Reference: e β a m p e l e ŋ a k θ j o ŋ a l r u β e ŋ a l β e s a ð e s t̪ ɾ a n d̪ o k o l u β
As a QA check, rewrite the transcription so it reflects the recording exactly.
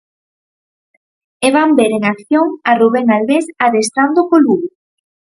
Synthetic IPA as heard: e β a m b e ɾ e ŋ a k θ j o ŋ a r u β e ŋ a l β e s a ð e s t̪ ɾ a n d̪ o k o l u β